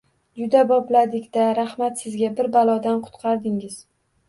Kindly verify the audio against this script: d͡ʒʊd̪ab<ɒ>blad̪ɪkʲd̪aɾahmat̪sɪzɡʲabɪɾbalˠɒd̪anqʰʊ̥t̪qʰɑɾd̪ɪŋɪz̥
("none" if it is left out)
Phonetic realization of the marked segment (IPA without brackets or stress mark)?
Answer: ɒ